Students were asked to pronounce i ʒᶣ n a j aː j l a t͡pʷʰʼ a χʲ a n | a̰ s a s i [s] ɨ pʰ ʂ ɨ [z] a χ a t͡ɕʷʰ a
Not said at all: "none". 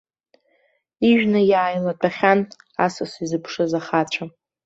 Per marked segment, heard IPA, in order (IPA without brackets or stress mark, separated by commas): z, z